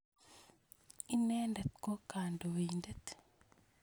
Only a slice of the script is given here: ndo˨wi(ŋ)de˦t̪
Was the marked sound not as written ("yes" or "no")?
yes